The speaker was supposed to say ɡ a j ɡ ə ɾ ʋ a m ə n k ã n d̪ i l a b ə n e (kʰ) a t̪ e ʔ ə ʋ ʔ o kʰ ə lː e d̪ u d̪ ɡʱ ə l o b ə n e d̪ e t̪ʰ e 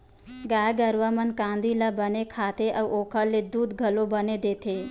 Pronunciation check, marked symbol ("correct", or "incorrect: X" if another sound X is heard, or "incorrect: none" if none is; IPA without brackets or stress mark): correct